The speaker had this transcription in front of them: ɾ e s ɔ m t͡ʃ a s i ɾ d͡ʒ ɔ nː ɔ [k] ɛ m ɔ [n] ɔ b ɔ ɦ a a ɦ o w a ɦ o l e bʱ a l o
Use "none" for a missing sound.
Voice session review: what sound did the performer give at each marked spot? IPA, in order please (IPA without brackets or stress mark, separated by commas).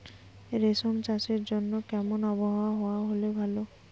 k, n